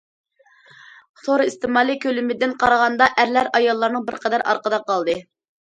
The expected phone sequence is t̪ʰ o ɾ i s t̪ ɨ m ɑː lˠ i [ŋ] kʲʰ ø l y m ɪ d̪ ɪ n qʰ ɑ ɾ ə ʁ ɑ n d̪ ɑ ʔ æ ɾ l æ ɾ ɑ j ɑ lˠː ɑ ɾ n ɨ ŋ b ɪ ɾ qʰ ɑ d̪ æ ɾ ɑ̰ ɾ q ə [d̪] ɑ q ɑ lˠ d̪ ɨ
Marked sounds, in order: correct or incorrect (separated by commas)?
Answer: incorrect, correct